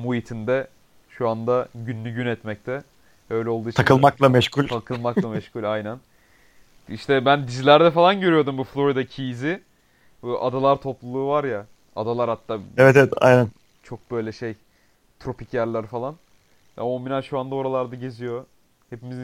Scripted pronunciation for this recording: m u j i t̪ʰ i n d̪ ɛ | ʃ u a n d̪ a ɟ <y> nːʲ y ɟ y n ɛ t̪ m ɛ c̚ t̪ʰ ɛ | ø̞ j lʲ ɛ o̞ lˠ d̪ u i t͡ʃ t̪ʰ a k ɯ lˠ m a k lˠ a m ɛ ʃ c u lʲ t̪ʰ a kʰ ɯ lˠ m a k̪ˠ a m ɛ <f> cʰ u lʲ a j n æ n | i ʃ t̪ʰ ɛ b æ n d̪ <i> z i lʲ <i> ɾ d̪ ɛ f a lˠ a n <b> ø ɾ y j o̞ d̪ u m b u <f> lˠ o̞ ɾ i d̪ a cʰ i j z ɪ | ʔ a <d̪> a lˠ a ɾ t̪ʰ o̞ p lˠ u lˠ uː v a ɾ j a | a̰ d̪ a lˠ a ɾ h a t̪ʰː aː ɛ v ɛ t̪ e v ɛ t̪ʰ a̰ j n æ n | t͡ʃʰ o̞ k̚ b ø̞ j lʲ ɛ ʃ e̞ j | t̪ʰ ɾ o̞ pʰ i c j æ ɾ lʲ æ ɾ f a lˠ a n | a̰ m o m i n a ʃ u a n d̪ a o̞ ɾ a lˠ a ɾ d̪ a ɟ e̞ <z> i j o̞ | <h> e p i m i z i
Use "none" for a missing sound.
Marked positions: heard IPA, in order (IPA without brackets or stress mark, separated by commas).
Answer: y, ʃ, i, æ, ɟ, f, d̪, z, h